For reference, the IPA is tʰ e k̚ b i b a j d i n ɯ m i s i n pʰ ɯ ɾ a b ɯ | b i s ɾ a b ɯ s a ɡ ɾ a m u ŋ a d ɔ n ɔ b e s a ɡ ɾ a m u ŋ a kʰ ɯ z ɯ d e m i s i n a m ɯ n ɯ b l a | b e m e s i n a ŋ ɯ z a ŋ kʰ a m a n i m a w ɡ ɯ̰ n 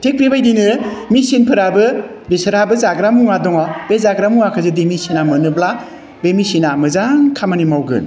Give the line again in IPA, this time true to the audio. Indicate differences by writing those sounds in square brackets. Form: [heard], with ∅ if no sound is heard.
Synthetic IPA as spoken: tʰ e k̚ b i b a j d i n ɯ m i s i n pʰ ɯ ɾ a b ɯ | b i s ɾ a b ɯ [z] a ɡ ɾ a m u ŋ a d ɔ [ŋ] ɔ b e [z] a ɡ ɾ a m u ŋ a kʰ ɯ z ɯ d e m i s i n a m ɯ n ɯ b l a | b e m [i] s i n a [m] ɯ z a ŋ kʰ a m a n i m a w ɡ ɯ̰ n